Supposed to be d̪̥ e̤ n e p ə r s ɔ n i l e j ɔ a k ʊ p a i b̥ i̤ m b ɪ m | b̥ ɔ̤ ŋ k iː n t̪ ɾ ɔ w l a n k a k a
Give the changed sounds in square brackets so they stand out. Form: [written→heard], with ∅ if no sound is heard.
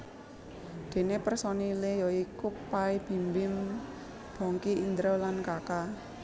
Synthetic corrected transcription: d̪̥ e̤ n e p ə r s ɔ n i l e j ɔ [a→i] k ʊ p a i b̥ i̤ m b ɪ m | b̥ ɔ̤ ŋ k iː n [t̪→d̪] ɾ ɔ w l a n k a k a